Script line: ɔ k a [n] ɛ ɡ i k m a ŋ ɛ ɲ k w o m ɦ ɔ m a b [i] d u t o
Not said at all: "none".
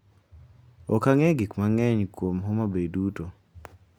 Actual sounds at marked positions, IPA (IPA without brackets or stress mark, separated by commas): ŋ, e